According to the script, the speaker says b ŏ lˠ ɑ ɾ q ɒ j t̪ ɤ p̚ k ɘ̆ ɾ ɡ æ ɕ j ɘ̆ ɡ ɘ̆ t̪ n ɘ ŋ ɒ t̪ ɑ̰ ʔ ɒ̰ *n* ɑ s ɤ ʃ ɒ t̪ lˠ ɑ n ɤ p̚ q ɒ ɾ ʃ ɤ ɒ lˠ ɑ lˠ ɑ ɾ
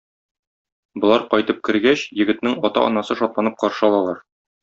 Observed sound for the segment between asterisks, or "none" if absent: n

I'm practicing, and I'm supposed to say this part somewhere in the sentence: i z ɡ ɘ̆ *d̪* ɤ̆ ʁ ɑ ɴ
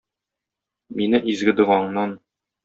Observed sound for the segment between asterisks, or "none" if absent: d̪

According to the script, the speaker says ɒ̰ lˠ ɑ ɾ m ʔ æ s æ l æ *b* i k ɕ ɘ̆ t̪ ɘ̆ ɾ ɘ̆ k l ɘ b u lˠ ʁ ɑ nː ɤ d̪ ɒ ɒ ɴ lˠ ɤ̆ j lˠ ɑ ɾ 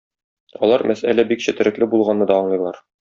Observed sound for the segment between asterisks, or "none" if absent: b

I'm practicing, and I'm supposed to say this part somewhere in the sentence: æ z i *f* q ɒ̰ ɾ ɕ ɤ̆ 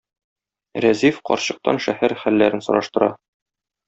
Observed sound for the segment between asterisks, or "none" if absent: f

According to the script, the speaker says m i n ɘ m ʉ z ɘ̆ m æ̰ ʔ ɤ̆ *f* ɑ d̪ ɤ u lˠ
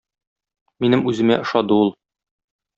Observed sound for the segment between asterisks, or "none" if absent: ʃ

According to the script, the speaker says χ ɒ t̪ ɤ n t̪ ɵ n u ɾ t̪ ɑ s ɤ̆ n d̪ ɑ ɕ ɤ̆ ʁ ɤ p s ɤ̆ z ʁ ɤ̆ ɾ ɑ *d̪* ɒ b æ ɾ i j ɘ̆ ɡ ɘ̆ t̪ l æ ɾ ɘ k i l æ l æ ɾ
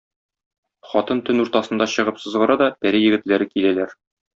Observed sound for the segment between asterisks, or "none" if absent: d̪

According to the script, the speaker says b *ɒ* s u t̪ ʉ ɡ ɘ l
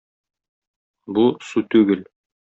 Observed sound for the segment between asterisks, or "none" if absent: u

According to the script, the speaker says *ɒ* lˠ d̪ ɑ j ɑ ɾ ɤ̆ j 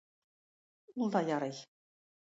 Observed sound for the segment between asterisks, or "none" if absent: u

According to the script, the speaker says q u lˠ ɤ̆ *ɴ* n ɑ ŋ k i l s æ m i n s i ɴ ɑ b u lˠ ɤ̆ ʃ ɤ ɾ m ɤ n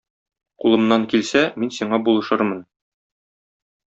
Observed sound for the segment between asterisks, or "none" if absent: m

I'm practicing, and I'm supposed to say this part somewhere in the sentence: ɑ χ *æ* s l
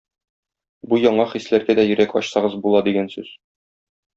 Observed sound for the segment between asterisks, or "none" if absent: i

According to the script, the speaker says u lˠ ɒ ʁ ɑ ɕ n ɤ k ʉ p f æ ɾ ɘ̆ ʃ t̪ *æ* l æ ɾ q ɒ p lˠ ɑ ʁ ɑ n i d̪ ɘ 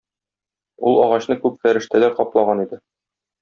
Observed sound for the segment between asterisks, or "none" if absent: æ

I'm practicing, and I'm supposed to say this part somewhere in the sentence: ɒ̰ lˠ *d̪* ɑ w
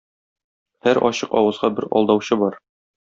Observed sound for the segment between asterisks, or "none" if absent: d̪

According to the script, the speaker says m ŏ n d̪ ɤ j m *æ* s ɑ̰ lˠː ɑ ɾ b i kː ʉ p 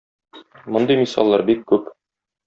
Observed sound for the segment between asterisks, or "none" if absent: i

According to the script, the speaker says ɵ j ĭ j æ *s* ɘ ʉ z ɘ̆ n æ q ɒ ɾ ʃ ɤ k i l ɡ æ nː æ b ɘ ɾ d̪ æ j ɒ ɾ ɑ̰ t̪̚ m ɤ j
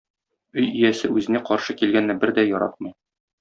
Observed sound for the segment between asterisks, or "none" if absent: s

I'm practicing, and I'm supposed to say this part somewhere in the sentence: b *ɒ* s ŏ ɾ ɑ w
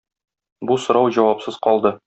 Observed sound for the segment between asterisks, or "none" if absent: u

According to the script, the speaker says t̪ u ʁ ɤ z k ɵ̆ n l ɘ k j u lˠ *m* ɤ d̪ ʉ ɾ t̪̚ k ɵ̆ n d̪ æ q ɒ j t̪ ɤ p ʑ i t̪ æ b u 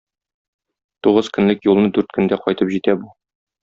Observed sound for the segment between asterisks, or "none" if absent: n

